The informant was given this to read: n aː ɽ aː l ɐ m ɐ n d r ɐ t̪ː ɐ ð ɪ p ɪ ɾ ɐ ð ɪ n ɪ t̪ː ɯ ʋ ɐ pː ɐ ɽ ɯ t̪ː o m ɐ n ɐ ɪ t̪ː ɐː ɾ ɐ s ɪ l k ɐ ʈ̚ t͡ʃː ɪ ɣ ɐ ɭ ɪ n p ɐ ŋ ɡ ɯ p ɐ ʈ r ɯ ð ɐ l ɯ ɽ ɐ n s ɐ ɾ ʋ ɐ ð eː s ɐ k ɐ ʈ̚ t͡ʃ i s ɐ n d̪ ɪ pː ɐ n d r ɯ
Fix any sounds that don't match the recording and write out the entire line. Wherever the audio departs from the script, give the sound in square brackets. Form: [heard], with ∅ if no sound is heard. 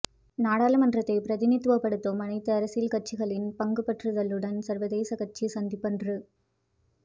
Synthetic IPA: n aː ɽ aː l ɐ m ɐ n d r ɐ t̪ː ɐ [∅] ɪ p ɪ ɾ ɐ ð ɪ n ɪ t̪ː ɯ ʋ ɐ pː ɐ ɽ ɯ t̪ː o m ɐ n ɐ ɪ t̪ː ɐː ɾ ɐ s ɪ l k ɐ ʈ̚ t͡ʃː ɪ ɣ ɐ ɭ ɪ n p ɐ ŋ ɡ ɯ p ɐ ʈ r ɯ ð ɐ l ɯ ɽ ɐ n s ɐ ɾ ʋ ɐ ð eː s ɐ k ɐ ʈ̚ t͡ʃ i s ɐ n d̪ ɪ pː ɐ n d r ɯ